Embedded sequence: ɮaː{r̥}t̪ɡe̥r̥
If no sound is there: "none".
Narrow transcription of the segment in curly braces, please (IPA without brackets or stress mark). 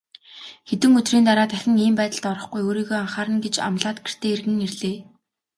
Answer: none